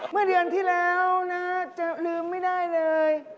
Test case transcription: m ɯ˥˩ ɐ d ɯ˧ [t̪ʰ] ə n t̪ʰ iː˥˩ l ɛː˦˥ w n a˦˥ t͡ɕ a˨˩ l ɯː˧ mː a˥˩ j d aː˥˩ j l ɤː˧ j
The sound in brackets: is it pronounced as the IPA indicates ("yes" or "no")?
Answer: no